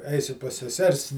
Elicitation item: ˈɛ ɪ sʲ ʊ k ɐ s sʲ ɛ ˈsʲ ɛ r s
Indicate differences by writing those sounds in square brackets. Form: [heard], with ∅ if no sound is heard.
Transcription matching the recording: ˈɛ ɪ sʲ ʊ [p] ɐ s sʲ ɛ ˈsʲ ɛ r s